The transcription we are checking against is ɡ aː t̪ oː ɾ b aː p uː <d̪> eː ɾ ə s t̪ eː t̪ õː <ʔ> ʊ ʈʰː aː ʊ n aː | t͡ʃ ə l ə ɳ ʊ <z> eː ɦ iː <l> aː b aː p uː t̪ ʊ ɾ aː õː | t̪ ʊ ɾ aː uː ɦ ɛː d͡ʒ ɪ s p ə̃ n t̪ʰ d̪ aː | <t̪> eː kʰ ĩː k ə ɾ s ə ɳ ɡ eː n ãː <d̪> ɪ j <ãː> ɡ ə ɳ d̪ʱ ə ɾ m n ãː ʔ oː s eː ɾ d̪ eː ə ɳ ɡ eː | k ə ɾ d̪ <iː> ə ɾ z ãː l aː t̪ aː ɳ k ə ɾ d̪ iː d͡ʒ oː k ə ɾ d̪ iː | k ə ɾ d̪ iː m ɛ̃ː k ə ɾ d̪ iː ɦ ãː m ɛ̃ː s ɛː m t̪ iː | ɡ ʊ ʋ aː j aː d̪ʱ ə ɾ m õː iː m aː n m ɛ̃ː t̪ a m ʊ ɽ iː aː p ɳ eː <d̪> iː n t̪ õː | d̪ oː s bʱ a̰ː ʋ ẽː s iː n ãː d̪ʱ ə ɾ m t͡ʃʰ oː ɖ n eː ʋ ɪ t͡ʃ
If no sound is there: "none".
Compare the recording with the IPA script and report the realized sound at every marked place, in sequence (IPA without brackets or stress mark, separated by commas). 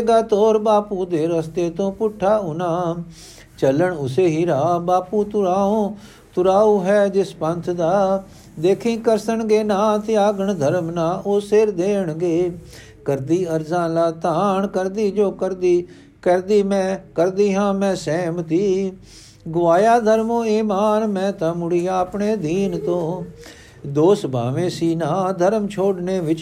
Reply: d̪, p, s, ɾ, d̪, t̪, aː, iː, d̪